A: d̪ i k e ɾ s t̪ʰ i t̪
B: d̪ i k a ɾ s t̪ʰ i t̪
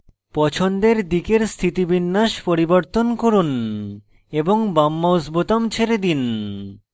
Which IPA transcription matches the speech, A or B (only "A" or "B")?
A